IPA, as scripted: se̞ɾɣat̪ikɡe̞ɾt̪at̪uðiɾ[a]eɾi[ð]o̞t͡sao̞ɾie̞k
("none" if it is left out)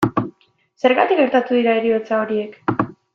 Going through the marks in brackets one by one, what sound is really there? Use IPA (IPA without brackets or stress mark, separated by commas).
a, none